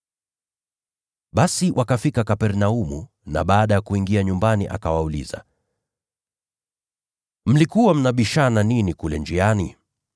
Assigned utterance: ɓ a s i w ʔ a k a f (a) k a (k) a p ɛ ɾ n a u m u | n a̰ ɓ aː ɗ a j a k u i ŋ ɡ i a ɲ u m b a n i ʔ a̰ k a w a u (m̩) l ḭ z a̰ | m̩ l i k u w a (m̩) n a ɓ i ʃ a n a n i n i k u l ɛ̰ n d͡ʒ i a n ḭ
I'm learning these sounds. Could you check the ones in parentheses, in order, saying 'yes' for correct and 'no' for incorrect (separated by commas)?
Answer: no, yes, no, yes